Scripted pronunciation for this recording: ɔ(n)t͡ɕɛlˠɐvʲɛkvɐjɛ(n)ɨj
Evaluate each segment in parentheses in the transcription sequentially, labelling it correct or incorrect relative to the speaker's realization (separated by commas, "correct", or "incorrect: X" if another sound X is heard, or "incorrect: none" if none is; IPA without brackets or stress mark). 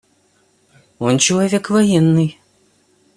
correct, incorrect: nː